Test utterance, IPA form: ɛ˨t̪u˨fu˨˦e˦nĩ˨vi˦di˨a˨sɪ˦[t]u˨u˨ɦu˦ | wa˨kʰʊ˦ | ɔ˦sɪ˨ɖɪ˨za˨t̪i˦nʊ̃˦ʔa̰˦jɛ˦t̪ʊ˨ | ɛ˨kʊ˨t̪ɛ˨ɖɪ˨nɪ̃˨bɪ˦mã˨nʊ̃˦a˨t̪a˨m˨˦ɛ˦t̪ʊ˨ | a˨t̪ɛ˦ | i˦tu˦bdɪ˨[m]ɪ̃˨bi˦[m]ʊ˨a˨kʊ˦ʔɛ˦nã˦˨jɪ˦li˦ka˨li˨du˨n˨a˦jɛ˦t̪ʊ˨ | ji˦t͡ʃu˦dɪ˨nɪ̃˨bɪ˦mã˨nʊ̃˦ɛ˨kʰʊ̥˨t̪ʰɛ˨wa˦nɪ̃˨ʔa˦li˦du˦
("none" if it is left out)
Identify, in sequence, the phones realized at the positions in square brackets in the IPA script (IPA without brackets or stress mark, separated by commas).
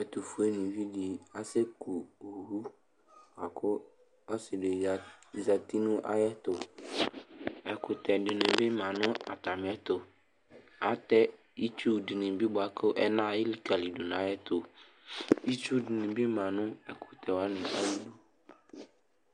k, n, b